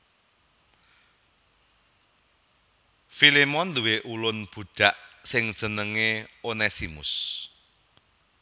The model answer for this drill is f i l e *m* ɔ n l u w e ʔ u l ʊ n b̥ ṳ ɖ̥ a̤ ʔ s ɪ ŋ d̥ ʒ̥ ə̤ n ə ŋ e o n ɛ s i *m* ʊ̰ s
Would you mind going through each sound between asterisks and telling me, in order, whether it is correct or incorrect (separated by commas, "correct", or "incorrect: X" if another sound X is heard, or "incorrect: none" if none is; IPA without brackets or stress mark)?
correct, correct